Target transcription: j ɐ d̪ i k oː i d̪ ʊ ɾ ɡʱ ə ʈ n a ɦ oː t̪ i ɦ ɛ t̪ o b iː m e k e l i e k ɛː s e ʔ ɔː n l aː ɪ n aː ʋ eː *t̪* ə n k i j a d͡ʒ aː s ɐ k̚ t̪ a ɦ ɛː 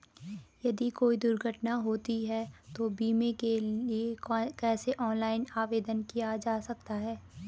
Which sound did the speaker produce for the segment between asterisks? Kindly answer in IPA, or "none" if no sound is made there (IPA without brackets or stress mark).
d̪